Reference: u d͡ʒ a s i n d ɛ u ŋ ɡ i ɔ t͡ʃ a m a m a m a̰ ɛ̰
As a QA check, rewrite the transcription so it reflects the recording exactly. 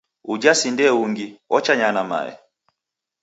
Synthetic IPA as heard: u d͡ʒ a s i n d ɛ u ŋ ɡ i ɔ t͡ʃ a ɲ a n a m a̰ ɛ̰